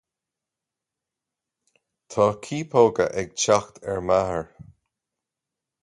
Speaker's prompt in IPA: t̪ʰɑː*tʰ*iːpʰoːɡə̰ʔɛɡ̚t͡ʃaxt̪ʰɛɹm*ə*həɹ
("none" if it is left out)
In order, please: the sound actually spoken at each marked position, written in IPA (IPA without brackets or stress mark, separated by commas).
kʰ, a